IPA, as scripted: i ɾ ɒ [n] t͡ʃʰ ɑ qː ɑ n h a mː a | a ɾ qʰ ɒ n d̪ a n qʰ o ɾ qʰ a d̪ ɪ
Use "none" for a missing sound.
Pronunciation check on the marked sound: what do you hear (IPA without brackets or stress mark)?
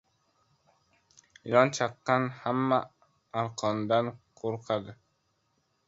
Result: n